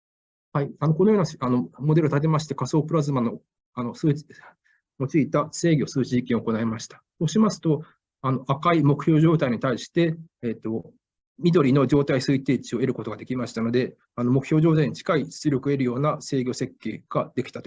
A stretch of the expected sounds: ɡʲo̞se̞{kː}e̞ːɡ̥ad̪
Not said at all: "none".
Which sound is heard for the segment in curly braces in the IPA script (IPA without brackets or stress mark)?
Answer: kː